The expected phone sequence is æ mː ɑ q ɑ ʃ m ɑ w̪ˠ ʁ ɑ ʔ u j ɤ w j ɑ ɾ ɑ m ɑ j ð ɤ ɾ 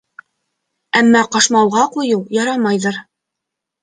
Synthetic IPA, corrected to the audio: æ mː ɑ q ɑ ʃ m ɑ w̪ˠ ʁ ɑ q u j ɤ w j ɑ ɾ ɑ m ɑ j ð ɤ ɾ